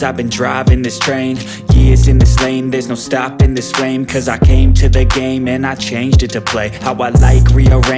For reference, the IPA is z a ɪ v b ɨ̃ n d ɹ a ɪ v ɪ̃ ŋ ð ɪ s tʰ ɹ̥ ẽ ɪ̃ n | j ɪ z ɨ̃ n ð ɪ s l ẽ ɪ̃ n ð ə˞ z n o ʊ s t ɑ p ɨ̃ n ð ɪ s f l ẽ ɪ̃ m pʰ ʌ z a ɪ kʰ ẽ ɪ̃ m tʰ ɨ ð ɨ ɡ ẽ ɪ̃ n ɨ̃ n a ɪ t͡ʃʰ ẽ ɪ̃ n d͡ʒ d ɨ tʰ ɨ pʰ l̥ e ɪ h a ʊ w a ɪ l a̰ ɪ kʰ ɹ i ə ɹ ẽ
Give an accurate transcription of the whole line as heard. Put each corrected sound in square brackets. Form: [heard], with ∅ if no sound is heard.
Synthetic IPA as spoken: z a ɪ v b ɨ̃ n d ɹ a ɪ v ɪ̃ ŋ ð ɪ s tʰ ɹ̥ ẽ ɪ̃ n | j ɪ z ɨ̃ n ð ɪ s l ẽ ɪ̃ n ð ə˞ z n o ʊ s t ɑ p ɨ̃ n ð ɪ s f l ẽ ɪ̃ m [kʰ] ʌ z a ɪ kʰ ẽ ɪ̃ m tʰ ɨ ð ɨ ɡ ẽ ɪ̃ [m] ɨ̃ n a ɪ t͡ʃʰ ẽ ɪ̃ n d͡ʒ d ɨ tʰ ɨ pʰ l̥ e ɪ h a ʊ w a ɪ l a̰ ɪ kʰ ɹ i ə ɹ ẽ